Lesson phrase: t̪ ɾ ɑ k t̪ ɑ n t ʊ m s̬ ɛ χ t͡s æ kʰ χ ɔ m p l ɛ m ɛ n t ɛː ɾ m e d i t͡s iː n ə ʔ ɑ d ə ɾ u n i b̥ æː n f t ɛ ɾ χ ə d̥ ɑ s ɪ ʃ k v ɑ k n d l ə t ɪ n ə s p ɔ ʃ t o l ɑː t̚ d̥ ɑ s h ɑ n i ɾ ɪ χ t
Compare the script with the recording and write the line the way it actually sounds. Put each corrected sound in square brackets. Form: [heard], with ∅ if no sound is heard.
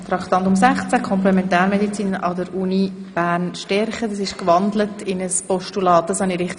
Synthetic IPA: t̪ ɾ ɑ k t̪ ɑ n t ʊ m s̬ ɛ χ t͡s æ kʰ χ ɔ m p l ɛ m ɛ n t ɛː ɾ m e d i t͡s iː n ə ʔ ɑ d ə ɾ u n i b̥ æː n [ʃ] t ɛ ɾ χ ə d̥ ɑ s ɪ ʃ k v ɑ [∅] n d l ə t ɪ n ə s p ɔ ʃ t [u] l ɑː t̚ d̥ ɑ s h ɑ n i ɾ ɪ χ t

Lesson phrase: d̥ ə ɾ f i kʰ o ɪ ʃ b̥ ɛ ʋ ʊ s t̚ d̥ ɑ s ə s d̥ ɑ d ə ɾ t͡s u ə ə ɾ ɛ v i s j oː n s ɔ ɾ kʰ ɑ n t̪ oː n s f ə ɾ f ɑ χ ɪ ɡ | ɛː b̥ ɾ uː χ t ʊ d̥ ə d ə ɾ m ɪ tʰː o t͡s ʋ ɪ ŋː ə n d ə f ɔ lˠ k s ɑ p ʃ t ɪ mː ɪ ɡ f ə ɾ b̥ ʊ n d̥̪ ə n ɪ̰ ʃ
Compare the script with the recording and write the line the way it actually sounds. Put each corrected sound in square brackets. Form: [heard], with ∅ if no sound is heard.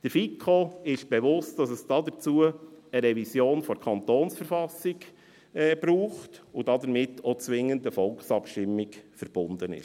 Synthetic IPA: d̥ ə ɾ f i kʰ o ɪ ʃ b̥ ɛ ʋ ʊ s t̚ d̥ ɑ s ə s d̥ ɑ d ə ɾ t͡s u ə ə ɾ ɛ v i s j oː n [f] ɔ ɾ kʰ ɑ n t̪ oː n s f ə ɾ f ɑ [s] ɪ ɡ | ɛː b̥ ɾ uː χ t ʊ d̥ [ɑ] d ə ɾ m ɪ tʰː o t͡s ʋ ɪ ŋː ə n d ə f ɔ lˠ k s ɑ p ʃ t ɪ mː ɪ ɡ f ə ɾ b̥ ʊ n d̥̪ ə n ɪ̰ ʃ

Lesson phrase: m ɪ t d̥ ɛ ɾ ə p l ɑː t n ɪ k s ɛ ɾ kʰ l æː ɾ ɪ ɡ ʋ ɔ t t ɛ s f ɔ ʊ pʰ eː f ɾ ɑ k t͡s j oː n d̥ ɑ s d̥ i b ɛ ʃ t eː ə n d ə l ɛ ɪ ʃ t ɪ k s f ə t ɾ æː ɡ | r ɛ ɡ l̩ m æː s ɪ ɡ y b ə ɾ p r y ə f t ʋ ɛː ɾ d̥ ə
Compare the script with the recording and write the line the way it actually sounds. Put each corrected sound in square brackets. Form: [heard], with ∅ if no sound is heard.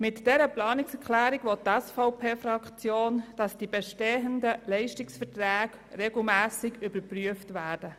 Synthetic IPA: m ɪ t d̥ ɛ ɾ ə p l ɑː [∅] n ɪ k s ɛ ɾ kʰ l æː ɾ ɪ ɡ ʋ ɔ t t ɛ s f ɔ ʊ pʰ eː f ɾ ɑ k t͡s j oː n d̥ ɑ s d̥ i b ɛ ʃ t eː ə n d ə l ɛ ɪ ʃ t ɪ k s f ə t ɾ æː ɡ | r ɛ ɡ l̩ m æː s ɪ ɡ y b ə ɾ p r y ə f t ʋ [æː] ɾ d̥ ə

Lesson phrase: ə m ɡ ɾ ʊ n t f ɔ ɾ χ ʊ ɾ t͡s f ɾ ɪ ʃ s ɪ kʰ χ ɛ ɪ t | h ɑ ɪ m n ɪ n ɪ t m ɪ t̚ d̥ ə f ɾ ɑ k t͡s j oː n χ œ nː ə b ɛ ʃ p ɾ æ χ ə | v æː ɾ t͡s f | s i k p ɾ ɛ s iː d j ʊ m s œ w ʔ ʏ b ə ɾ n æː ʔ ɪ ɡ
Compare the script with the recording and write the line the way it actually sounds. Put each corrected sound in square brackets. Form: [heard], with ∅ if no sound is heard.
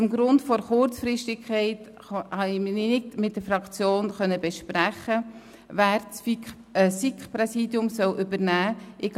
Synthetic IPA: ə m ɡ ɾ ʊ n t f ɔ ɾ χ ʊ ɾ t͡s f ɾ ɪ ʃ [t] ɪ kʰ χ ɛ ɪ t | h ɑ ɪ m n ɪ n ɪ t m ɪ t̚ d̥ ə f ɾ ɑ k t͡s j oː n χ œ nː ə b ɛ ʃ p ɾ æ χ ə | v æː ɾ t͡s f | s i k p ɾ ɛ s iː d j ʊ m s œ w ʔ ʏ b ə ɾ n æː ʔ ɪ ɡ

